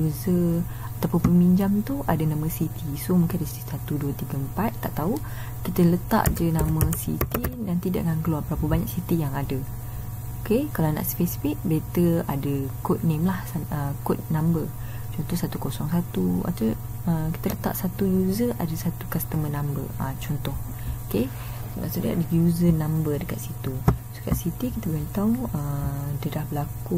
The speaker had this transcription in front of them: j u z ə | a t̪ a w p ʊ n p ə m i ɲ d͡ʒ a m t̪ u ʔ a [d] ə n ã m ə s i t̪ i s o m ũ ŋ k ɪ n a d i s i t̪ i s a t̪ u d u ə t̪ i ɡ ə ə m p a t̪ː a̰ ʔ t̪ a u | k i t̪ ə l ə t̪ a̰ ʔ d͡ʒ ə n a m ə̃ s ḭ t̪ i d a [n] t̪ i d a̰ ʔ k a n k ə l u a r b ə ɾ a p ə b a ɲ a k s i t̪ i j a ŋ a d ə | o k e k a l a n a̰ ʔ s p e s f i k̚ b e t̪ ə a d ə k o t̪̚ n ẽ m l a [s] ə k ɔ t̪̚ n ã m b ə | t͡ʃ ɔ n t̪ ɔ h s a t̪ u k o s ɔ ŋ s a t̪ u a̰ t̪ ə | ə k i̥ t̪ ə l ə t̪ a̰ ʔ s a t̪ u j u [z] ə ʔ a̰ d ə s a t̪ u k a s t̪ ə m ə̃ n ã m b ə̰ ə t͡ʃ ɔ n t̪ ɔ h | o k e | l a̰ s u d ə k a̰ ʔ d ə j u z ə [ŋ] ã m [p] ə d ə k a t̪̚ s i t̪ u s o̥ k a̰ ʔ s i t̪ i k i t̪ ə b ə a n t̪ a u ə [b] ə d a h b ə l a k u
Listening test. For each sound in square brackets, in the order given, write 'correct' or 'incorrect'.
correct, correct, incorrect, correct, incorrect, incorrect, incorrect

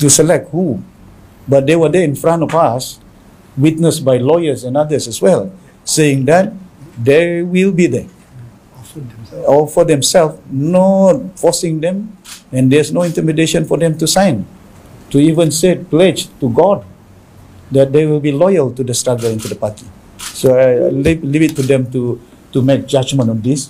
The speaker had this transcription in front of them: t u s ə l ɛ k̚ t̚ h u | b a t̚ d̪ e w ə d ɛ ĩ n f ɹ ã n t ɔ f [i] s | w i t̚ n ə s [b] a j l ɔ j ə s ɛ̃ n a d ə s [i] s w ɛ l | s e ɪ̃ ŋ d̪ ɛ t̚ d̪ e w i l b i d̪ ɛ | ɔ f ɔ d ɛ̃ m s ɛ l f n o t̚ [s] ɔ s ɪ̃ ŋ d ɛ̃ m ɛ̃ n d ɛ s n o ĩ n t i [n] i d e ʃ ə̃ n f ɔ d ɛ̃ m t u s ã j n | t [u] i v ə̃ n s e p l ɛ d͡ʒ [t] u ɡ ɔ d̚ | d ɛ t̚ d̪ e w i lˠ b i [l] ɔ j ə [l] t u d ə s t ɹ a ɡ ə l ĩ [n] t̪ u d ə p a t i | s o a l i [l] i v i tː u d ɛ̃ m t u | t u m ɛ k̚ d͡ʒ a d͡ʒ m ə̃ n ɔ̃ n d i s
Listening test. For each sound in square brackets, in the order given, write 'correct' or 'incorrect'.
incorrect, correct, incorrect, incorrect, incorrect, correct, correct, correct, correct, correct, correct

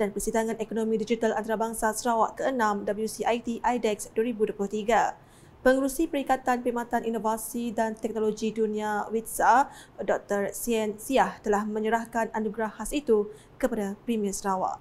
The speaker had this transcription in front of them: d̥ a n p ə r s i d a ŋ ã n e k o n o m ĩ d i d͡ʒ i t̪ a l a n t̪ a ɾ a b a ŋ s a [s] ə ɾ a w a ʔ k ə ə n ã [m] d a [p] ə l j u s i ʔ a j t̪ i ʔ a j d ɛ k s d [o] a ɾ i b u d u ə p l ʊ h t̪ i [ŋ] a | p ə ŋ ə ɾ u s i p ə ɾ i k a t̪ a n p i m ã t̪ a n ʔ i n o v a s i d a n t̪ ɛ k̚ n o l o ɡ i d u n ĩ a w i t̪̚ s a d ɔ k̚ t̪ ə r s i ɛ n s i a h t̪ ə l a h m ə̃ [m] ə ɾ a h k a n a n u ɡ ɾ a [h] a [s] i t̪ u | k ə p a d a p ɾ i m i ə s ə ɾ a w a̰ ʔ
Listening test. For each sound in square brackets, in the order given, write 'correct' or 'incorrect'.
correct, correct, incorrect, incorrect, incorrect, incorrect, correct, correct

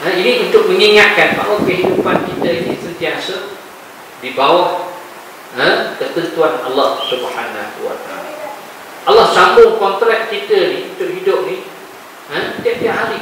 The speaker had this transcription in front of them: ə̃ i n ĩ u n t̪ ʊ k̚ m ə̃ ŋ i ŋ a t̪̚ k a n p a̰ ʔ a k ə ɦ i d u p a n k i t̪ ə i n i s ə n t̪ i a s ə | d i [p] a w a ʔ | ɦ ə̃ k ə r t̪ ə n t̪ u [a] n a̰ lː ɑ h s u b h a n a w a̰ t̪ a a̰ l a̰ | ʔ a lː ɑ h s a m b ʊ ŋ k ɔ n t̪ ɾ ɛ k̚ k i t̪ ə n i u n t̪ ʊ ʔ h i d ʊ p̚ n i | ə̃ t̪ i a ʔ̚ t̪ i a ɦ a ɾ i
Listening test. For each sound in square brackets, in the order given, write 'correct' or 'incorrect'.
incorrect, correct

